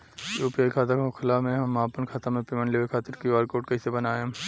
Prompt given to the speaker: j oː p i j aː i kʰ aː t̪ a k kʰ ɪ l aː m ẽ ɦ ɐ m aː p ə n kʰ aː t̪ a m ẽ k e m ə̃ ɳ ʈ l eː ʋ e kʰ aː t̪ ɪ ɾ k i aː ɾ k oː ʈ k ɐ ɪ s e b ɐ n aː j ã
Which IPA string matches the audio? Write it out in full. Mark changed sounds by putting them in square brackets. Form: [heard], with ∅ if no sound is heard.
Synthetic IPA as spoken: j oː p i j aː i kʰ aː t̪ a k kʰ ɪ l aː m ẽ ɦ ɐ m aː p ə n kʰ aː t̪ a m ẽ [p] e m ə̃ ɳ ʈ l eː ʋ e kʰ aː t̪ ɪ ɾ k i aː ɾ k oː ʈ k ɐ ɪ s e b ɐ n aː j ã